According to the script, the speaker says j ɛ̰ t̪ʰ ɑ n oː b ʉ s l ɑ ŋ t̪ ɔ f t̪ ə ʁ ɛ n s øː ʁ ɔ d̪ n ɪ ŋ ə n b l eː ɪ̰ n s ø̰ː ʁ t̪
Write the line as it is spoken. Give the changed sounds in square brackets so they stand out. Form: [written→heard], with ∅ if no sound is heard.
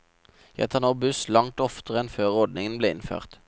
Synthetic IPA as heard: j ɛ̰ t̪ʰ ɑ n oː b ʉ s l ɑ ŋ t̪ ɔ f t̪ ə ʁ ɛ n [s→f] øː ʁ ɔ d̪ n ɪ ŋ ə n b l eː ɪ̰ n [s→f] ø̰ː ʁ t̪